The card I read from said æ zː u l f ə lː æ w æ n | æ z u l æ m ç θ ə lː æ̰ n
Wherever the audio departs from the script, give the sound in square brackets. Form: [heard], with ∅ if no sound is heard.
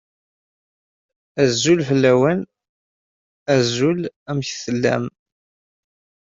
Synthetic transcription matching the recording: æ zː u l f ə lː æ w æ n | æ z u l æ m ç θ ə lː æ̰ [m]